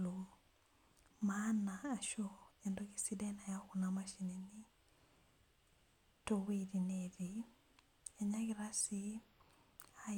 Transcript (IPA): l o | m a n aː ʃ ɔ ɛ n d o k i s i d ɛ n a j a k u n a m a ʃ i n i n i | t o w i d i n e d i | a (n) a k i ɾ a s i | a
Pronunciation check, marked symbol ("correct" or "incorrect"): incorrect